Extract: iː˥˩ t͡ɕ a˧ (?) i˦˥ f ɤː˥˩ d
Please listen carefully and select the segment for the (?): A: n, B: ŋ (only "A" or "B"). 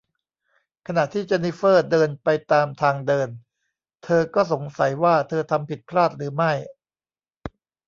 A